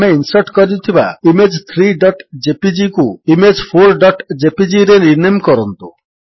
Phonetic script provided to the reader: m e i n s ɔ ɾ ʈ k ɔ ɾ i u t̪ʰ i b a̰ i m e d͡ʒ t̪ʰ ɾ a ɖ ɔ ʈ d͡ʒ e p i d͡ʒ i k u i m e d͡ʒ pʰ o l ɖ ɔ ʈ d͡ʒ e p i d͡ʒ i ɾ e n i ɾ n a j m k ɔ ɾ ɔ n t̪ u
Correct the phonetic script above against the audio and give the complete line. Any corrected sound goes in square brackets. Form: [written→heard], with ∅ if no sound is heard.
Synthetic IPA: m e i n s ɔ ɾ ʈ k ɔ ɾ i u t̪ʰ i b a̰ i m e d͡ʒ t̪ʰ ɾ [a→i] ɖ ɔ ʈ d͡ʒ e p i d͡ʒ i k u i m e d͡ʒ pʰ o [l→ɾ] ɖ ɔ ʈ d͡ʒ e p i d͡ʒ i ɾ e n i ɾ n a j m k ɔ ɾ ɔ n t̪ u